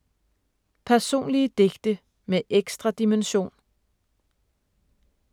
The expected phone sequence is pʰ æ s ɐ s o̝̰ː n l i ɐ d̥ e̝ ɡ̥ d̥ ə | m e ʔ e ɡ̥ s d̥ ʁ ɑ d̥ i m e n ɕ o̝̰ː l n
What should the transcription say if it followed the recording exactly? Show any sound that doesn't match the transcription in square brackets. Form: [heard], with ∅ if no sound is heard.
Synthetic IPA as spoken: pʰ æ [∅] ɐ s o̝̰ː n l i [ə] d̥ e̝ ɡ̥ d̥ ə | m e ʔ e ɡ̥ s d̥ ʁ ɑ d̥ i m e n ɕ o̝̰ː [∅] n